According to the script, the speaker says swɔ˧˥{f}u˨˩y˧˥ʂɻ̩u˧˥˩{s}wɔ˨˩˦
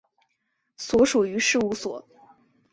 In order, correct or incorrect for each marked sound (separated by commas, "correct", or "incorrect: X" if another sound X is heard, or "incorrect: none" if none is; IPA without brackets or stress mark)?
incorrect: ʂ, correct